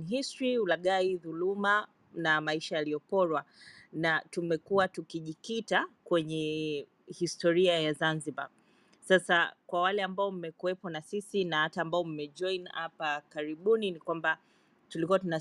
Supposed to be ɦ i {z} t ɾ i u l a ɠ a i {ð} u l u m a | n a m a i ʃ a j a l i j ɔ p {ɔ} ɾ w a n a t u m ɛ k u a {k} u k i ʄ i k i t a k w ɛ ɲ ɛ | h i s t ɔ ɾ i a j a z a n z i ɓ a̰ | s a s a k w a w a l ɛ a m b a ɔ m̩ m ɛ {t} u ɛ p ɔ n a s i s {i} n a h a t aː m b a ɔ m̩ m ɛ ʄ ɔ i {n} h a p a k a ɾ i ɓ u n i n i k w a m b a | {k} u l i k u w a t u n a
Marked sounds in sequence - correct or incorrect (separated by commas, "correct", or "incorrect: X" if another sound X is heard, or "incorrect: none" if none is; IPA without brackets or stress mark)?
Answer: incorrect: s, correct, correct, incorrect: t, incorrect: k, correct, correct, incorrect: t